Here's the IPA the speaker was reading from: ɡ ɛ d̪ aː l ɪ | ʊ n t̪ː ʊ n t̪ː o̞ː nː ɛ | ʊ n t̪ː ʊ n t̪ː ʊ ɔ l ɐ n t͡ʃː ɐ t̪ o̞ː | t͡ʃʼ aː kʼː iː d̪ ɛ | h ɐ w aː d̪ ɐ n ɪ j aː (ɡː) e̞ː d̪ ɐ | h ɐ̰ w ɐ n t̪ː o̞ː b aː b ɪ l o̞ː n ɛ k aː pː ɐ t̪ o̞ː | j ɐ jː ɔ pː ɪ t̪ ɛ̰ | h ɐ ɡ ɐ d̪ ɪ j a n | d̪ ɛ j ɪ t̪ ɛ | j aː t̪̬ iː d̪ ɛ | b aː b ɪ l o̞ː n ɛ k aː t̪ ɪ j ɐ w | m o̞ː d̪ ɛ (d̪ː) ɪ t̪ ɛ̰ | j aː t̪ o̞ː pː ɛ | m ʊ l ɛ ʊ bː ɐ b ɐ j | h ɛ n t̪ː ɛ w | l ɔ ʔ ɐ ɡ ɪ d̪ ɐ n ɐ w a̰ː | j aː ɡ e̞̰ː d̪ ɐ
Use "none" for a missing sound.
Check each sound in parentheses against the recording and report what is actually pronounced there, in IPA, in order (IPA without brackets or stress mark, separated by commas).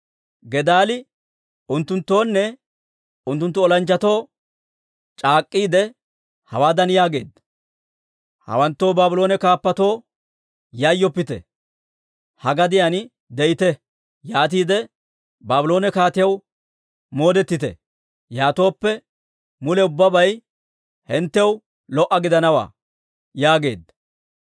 ɡ, t̪ː